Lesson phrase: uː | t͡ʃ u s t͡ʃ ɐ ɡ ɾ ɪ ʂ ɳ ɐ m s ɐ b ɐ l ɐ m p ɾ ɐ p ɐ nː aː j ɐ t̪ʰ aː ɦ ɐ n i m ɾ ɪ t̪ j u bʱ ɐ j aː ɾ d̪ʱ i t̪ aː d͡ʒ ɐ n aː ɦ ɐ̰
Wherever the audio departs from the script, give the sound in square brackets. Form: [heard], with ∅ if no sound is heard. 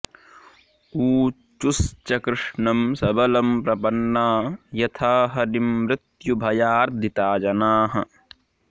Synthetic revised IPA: uː | t͡ʃ u s t͡ʃ ɐ [k] ɾ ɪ ʂ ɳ ɐ m s ɐ b ɐ l ɐ m p ɾ ɐ p ɐ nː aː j ɐ t̪ʰ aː ɦ ɐ n i m ɾ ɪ t̪ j u bʱ ɐ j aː ɾ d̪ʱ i t̪ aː d͡ʒ ɐ n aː ɦ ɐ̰